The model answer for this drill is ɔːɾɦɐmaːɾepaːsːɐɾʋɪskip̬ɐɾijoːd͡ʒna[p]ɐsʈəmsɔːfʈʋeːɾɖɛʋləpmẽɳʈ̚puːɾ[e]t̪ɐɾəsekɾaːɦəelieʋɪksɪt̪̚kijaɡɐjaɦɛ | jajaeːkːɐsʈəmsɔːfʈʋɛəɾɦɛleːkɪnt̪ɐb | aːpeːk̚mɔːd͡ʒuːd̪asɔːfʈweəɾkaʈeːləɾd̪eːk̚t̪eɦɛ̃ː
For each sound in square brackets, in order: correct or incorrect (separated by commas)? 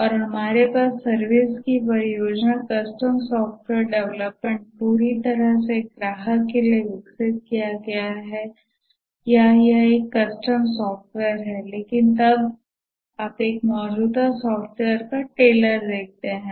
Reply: incorrect, incorrect